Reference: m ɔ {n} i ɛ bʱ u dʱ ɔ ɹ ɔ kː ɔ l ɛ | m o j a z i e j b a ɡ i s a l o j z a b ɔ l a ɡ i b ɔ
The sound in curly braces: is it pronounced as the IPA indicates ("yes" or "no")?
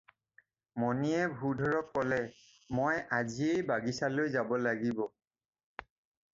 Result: yes